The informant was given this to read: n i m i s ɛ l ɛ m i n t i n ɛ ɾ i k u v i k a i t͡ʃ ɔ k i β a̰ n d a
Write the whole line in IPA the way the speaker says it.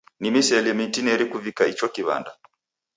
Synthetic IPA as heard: n i m i s ɛ l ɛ m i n t i n ɛ ɾ i k u v i k a i t͡ʃ ɔ k i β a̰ n d a

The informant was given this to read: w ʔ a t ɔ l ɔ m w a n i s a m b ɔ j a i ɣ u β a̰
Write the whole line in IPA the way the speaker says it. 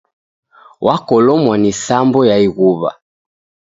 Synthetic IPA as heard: w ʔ a k ɔ l ɔ m w a n i s a m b ɔ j a i ɣ u β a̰

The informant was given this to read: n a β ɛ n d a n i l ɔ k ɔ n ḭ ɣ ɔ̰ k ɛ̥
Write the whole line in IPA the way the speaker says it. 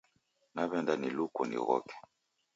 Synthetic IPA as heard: n a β ɛ n d a n i l u k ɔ n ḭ ɣ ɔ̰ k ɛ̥

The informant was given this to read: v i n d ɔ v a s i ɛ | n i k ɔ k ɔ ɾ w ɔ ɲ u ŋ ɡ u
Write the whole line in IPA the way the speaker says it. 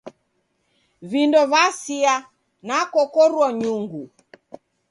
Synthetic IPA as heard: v i n d ɔ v a s i a | n a k ɔ k ɔ ɾ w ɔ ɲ u ŋ ɡ u

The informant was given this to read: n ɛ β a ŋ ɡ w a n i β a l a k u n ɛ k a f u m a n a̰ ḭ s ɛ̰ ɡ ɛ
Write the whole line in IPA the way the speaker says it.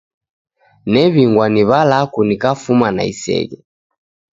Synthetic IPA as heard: n ɛ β i ŋ ɡ w a n i β a l a k u n i k a f u m a n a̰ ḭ s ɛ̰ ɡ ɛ

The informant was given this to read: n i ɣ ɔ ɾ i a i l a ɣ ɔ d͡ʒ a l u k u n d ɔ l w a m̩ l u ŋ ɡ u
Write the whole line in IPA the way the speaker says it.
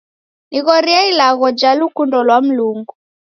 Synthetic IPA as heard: n i ɣ ɔ ɾ i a i l a ɣ ɔ d͡ʒ a l u k u n d ɔ l w a m̩ l u ŋ ɡ u

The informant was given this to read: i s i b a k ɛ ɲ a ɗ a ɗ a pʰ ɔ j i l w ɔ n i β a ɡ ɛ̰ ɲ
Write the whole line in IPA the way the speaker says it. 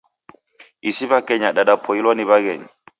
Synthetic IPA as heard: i s i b a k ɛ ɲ a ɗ a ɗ a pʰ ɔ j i l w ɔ n i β a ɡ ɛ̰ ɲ

